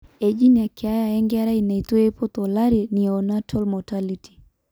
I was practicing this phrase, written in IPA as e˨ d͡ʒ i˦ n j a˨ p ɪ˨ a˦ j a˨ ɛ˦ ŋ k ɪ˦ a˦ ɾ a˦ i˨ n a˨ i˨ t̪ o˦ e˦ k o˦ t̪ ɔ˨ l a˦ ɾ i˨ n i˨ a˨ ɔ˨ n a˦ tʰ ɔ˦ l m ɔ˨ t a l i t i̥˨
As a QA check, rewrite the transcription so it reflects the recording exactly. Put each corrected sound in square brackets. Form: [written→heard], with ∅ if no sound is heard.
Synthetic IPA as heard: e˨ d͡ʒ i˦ n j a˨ [p→k] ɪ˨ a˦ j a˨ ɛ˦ ŋ [k→ɡ] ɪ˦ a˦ ɾ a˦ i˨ n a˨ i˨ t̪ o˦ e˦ [k→p] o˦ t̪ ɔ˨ l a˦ ɾ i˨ n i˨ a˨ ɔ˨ n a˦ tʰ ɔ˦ l m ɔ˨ t a l i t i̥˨